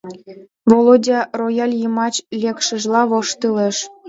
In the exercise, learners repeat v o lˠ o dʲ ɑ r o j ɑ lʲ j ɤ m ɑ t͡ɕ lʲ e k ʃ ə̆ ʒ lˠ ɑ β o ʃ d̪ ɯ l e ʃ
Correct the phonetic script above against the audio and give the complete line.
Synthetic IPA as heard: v o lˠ o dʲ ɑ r o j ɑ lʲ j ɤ m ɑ t͡ɕ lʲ e k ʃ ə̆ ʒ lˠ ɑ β o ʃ t̪ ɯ l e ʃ

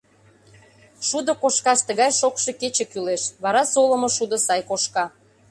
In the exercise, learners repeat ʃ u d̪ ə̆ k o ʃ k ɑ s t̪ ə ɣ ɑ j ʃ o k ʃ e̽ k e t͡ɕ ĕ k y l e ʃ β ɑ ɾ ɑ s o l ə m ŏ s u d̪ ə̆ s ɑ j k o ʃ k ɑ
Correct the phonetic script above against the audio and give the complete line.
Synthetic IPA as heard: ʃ u d̪ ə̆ k o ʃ k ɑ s t̪ ə ɣ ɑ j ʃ o k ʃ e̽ k e t͡ɕ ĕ k y l e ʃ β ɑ ɾ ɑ s o l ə m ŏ ʃ u d̪ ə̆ s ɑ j k o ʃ k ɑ

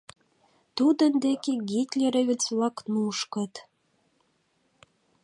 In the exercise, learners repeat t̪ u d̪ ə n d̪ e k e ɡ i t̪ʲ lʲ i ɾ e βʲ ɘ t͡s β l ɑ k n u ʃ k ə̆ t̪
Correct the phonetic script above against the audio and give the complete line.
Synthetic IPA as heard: t̪ u d̪ ə n d̪ e k e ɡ i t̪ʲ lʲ e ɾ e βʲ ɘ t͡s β l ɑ k n u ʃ k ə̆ t̪

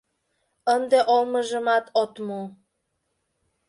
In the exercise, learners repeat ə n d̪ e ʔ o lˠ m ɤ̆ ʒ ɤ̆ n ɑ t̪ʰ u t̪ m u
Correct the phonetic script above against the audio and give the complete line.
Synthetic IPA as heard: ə n d̪ e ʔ o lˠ m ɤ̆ ʒ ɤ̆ m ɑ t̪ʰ o t̪ m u

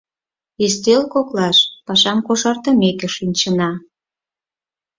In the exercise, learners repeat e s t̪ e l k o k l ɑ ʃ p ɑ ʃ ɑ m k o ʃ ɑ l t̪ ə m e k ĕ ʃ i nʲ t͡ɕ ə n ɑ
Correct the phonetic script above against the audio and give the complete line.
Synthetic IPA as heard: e s t̪ e l k o k l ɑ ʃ p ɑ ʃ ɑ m k o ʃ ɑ r t̪ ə m e k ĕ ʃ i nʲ t͡ɕ ə n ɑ

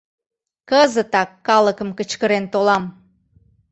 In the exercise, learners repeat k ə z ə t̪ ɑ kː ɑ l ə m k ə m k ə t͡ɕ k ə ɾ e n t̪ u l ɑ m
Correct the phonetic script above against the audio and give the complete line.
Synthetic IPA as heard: k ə z ə t̪ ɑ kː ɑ l ə k ə m k ə t͡ɕ k ə ɾ e n t̪ o l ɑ m

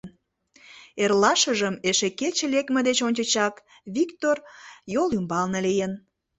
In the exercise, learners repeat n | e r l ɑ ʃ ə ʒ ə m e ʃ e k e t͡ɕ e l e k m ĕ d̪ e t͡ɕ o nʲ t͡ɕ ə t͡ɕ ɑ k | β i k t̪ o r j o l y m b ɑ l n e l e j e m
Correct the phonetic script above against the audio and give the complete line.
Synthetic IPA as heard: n | e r l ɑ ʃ ə ʒ ə m e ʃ e k e t͡ɕ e l e k m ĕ d̪ e t͡ɕ o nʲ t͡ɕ ə t͡ɕ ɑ k | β i k t̪ o r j o l y m b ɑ l n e l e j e n

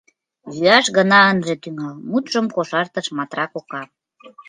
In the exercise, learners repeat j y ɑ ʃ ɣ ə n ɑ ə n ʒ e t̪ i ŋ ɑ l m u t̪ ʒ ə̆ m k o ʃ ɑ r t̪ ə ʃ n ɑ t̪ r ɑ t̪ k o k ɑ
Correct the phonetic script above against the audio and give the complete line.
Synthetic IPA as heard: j y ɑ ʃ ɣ ə n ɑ ə n ʒ e t̪ y ŋ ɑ l m u t̪ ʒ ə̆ m k o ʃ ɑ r t̪ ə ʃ m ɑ t̪ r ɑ k o k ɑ

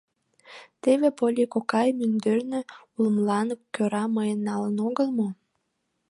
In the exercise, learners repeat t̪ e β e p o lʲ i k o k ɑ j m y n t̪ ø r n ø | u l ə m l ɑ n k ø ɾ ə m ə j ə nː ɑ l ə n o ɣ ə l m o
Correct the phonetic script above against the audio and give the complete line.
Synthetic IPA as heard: t̪ e β e p o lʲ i k o k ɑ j m y n d̪ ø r n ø | u l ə m l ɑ n k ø ɾ ɑ m ə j ə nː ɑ l ə n o ɣ ə l m o

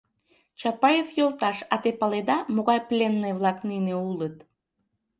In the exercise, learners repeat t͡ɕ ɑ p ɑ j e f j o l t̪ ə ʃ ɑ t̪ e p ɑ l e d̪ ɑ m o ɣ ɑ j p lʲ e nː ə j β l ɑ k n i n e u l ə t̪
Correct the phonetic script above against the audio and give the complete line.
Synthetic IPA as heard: t͡ɕ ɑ p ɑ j e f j o l t̪ ɑ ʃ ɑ t̪ e p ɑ l e d̪ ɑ m o ɣ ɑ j p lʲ e nː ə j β l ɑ k n i n e u l ə t̪

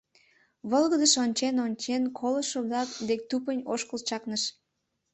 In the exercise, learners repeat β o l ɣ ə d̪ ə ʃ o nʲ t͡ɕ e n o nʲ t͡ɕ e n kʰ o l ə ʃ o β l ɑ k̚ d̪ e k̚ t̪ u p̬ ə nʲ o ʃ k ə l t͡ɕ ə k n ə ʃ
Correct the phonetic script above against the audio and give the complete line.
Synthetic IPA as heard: β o l ɣ ə d̪ ə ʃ o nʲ t͡ɕ e n o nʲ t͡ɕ e n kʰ o l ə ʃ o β l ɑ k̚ d̪ e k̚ t̪ u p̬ ə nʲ o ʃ k ə l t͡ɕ ɑ k n ə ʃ

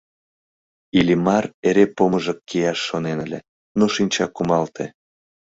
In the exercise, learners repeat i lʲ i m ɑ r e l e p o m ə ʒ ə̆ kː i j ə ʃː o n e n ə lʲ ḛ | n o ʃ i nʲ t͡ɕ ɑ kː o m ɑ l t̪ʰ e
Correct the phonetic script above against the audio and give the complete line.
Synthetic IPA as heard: i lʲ i m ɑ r e ɾ e p o m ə ʒ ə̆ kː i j ɑ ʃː o n e n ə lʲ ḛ | n o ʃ i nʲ t͡ɕ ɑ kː u m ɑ l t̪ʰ e

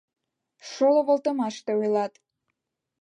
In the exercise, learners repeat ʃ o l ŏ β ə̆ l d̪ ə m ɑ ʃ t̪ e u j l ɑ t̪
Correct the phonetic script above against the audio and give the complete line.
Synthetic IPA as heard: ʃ o l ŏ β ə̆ l t̪ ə m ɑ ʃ t̪ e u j l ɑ t̪

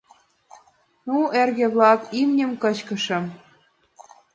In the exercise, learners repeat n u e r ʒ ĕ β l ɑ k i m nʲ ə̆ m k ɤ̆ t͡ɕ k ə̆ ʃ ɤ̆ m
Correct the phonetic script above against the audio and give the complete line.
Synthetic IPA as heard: n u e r ɣ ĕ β l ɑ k i m nʲ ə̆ m k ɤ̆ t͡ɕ k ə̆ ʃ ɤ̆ m

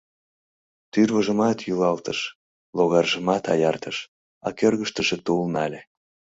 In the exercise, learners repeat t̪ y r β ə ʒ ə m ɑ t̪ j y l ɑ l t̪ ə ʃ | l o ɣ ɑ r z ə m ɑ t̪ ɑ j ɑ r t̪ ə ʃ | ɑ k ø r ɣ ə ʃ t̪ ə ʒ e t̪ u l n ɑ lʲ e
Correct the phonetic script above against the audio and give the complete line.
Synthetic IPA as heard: t̪ y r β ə ʒ ə m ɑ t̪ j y l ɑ l t̪ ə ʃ | l o ɣ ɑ r ʒ ə m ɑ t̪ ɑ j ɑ r t̪ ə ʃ | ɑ k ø r ɣ ə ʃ t̪ ə ʒ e t̪ u l n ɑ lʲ e

